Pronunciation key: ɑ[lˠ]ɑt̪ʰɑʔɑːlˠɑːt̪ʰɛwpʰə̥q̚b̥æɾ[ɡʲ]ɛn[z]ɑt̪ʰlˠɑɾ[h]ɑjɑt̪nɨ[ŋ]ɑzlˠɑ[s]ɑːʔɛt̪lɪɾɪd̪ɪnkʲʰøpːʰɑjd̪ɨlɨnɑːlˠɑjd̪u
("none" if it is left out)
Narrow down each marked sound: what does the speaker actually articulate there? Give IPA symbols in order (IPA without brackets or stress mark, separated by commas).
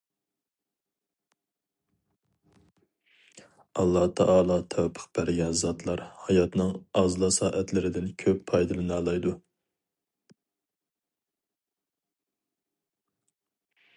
lˠː, ɡʲ, z, h, ŋ, s